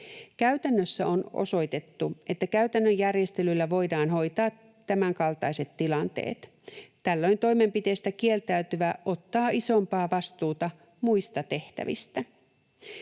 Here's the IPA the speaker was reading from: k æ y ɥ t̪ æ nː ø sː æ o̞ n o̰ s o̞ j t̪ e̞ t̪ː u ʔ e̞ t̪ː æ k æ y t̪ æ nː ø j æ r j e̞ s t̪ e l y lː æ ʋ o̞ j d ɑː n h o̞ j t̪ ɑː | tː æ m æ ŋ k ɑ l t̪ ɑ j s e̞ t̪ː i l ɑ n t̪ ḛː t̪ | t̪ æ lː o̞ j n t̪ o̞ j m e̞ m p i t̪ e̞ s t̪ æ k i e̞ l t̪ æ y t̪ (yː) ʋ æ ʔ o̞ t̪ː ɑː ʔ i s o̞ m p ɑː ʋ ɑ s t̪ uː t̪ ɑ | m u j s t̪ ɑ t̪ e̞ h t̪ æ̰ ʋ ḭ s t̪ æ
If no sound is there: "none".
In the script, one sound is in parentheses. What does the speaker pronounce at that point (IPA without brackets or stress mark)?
y